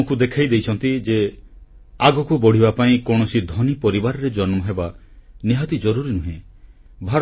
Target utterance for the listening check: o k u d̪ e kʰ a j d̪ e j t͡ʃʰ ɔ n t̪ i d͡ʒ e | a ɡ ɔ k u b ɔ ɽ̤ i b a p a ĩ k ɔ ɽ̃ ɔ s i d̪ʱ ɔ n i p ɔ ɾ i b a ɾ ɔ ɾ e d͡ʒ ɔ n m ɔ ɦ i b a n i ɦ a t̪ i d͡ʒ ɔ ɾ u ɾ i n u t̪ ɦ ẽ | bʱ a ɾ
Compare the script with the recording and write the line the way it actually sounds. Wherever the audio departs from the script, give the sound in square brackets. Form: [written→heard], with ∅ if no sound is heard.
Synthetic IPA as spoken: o k u d̪ e kʰ a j d̪ e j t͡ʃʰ ɔ n t̪ i d͡ʒ e | a ɡ ɔ k u b ɔ ɽ̤ i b a p a ĩ k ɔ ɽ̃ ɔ s i d̪ʱ ɔ n i p ɔ ɾ i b a ɾ ɔ ɾ e d͡ʒ ɔ n m ɔ ɦ [i→e] b a n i ɦ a t̪ i d͡ʒ ɔ ɾ u ɾ i n u [t̪→∅] ɦ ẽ | bʱ a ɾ